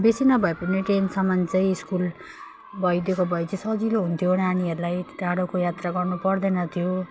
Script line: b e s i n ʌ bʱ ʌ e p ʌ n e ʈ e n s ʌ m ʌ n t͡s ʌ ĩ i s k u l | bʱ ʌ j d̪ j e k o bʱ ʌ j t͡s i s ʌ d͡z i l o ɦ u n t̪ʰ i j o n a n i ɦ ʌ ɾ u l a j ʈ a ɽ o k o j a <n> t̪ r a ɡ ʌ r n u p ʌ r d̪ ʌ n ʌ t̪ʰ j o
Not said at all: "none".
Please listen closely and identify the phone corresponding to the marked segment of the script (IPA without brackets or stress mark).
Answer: none